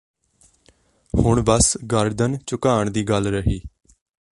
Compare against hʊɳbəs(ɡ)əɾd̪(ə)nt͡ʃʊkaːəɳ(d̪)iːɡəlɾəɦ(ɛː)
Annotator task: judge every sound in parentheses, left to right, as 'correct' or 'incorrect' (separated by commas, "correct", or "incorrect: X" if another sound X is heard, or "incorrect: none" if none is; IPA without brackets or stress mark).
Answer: correct, correct, correct, incorrect: iː